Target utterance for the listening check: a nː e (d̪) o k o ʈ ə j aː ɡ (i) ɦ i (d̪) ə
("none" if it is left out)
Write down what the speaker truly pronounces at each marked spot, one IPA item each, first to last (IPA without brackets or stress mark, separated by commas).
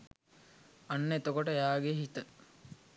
t̪, e, t̪